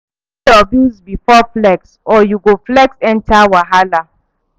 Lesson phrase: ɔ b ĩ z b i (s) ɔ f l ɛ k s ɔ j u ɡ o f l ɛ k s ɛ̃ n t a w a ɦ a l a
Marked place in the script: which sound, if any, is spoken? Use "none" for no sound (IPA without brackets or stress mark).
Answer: f